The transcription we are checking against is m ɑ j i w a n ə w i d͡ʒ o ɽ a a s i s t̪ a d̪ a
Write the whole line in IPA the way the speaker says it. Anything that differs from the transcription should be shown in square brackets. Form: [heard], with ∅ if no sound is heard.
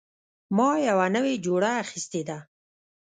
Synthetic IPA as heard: m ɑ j [a] w a n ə w [e] d͡ʒ o ɽ a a [x] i s t̪ [e] d̪ a